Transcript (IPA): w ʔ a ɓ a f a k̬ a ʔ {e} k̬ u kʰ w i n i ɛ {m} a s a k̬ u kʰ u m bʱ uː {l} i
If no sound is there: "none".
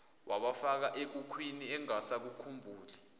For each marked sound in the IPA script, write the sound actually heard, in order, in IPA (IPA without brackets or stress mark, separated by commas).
e, ŋ, l